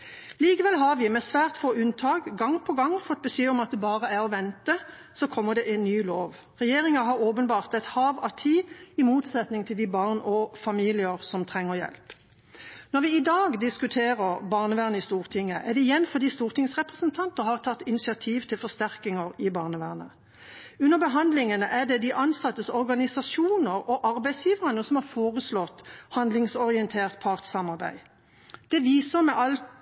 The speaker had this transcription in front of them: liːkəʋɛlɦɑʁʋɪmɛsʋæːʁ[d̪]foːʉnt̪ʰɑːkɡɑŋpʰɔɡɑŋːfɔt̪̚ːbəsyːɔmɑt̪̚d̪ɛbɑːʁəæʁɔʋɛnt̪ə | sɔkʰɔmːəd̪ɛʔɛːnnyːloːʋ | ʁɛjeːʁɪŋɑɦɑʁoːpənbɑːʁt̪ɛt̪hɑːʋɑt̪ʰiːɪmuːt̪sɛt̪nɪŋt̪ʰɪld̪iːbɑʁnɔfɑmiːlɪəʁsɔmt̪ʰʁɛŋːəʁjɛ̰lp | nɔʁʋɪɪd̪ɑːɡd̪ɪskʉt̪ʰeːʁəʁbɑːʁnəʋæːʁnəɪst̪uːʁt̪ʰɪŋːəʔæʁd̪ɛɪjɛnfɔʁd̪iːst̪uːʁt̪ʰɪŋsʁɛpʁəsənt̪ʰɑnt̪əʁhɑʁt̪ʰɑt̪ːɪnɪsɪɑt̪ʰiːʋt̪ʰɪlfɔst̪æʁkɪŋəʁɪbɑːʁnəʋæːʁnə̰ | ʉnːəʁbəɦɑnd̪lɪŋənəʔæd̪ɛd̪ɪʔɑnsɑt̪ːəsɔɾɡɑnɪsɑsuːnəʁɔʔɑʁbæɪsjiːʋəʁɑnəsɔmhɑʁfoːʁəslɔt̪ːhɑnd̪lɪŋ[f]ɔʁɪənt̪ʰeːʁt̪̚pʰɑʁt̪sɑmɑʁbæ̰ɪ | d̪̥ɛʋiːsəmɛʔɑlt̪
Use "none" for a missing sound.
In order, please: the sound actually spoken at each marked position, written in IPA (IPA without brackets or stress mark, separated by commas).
t̪, s